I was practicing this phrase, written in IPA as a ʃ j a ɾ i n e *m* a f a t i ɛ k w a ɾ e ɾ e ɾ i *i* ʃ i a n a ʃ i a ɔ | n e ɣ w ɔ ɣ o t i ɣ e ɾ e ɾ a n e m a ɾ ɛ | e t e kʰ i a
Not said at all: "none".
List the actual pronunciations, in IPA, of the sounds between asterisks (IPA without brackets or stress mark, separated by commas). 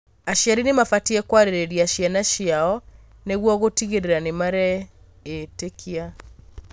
m, a